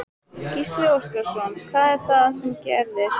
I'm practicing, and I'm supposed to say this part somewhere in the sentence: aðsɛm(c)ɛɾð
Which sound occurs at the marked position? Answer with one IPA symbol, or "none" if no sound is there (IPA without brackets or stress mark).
c